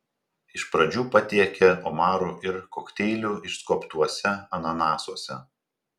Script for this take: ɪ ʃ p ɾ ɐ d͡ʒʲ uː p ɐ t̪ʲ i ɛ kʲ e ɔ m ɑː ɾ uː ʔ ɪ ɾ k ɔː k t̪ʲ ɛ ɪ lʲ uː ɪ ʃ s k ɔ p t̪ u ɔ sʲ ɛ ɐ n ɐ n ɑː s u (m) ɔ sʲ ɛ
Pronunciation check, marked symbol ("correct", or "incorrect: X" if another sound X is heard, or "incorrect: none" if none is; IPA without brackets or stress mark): incorrect: none